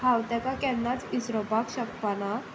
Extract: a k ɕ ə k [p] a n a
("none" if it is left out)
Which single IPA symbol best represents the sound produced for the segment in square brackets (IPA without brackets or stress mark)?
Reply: p